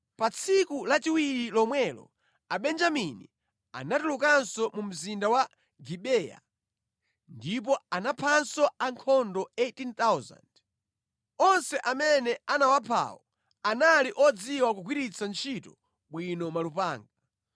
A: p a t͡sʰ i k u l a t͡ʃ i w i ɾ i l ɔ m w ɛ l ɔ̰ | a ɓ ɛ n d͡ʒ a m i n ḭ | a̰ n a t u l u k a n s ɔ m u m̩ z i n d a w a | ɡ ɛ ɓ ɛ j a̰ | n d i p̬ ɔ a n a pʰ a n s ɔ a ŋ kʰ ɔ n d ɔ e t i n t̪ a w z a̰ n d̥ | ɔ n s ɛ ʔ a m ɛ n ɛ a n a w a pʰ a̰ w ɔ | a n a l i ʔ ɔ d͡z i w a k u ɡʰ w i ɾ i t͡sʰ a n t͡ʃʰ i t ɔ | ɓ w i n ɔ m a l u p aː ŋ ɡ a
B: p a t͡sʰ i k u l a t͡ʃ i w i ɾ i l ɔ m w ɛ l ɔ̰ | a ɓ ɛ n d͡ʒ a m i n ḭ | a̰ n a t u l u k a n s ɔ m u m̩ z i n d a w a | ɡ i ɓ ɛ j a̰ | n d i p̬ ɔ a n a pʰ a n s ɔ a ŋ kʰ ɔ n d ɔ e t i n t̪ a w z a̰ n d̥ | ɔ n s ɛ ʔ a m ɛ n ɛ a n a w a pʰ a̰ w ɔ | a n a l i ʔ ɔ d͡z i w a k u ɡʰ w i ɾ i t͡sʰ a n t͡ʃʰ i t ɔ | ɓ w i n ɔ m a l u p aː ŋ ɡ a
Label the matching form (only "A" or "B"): B